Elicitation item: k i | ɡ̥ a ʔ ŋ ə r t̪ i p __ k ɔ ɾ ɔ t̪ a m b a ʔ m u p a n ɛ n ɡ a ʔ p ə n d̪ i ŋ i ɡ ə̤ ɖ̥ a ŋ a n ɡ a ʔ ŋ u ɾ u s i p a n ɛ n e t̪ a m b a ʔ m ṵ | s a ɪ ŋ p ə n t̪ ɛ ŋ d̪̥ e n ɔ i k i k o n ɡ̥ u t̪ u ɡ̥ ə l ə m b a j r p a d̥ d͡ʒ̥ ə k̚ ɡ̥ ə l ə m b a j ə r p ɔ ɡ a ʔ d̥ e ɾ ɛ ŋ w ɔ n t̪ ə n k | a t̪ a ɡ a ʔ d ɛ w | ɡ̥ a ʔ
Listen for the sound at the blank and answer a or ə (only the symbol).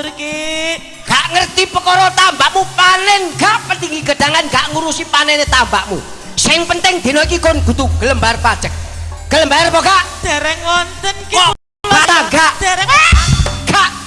ə